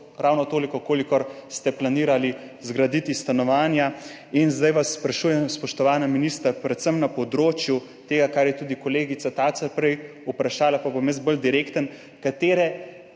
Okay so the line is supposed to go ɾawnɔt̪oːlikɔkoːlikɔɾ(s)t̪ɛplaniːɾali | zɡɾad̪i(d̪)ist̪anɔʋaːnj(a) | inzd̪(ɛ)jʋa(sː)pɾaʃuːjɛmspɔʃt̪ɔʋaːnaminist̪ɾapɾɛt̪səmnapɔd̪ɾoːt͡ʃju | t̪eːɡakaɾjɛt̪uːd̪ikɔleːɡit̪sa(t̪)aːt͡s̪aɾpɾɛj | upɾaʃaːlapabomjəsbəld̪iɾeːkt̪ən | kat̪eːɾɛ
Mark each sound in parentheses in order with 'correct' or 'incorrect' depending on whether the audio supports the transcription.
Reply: correct, incorrect, correct, incorrect, correct, correct

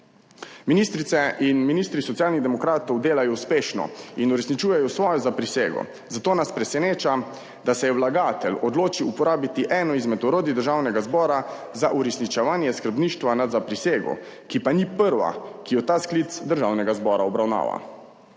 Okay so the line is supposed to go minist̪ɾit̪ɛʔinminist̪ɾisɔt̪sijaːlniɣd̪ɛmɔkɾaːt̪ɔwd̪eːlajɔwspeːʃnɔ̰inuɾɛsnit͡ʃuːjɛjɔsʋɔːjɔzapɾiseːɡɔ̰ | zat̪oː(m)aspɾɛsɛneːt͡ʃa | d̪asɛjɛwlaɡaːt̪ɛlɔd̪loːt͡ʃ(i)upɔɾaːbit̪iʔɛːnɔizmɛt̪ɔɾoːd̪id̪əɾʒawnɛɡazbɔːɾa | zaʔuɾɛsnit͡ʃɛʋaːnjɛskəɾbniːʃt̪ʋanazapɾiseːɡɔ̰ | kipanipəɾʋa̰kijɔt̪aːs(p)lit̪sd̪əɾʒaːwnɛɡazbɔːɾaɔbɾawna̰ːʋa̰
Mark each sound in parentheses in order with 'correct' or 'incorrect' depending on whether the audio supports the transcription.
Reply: incorrect, correct, incorrect

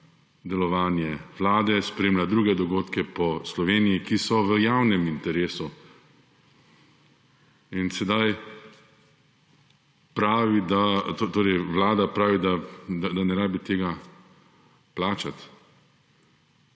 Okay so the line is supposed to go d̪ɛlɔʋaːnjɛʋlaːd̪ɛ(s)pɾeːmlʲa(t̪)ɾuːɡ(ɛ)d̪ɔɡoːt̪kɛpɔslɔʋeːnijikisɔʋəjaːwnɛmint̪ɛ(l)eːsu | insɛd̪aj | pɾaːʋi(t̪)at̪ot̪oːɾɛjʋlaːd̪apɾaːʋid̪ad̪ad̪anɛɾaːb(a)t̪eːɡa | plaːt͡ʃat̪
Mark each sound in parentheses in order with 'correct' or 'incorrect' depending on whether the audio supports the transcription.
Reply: correct, incorrect, correct, incorrect, incorrect, incorrect

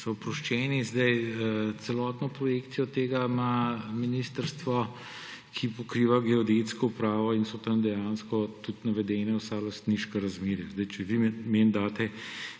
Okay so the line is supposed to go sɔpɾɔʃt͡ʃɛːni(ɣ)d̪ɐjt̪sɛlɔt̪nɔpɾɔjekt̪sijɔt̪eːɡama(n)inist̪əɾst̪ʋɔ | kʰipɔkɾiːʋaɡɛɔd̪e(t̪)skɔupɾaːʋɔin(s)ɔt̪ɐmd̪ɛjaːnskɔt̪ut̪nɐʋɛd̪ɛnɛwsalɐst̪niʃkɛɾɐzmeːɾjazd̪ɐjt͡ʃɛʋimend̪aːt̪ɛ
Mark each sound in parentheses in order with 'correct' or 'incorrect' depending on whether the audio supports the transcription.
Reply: incorrect, incorrect, correct, correct

